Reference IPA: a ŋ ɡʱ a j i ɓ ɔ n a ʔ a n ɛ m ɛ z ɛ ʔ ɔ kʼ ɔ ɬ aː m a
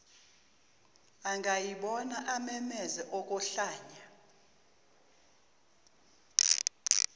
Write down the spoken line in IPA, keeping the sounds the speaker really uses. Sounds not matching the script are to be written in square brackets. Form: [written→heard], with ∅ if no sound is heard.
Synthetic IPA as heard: a ŋ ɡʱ a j i ɓ ɔ n a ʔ a [n→m] ɛ m ɛ z ɛ ʔ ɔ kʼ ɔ ɬ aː [m→ɲ] a